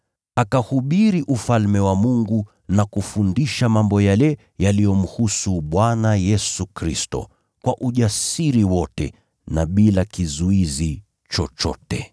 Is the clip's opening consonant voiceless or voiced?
voiceless